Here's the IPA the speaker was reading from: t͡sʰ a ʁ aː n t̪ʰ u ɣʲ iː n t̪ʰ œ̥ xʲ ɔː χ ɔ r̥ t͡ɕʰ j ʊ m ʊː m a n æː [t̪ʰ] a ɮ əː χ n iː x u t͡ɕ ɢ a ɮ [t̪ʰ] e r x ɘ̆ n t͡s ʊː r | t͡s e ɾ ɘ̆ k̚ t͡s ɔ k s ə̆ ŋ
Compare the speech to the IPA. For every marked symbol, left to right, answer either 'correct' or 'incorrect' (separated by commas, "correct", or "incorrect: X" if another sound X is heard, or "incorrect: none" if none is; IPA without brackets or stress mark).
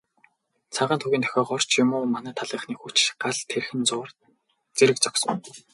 correct, correct